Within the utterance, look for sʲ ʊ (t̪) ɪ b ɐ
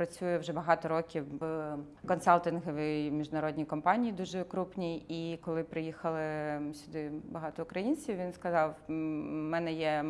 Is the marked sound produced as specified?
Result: no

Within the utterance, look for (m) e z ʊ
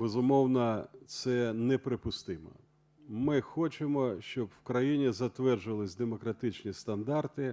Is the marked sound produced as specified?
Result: no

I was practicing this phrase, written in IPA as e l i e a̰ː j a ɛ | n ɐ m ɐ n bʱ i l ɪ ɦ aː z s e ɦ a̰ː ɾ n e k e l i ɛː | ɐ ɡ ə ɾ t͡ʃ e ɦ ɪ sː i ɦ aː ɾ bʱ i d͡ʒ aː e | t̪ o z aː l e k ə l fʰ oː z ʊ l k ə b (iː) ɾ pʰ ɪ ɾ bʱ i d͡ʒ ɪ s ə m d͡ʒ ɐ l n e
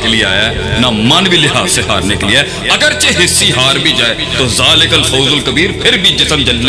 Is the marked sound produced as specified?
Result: yes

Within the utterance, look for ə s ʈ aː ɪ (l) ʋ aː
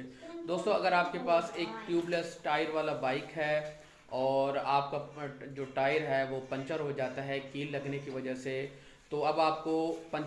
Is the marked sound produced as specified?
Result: no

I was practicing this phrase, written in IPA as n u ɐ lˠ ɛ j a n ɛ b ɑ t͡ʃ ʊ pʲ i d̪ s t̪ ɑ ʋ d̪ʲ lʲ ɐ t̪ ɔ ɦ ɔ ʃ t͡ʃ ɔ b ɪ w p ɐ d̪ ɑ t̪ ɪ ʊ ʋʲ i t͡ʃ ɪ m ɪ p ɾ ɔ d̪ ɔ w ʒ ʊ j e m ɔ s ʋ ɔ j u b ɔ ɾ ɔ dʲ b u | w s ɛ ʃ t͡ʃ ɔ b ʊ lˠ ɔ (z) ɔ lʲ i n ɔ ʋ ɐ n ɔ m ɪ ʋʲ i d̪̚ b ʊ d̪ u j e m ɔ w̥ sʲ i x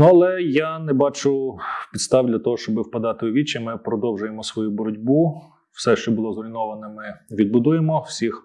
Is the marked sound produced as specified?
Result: yes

